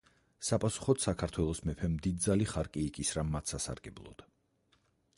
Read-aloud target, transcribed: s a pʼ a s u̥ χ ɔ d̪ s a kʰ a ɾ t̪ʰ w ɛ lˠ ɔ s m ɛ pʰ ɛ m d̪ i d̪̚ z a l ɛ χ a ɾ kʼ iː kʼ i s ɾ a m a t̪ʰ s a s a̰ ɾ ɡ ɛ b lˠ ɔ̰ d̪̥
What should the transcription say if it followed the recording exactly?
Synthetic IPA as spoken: s a pʼ a s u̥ χ ɔ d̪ s a kʰ a ɾ t̪ʰ w ɛ lˠ ɔ s m ɛ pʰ ɛ m d̪ i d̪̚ z a l i χ a ɾ kʼ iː kʼ i s ɾ a m a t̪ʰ s a s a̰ ɾ ɡ ɛ b lˠ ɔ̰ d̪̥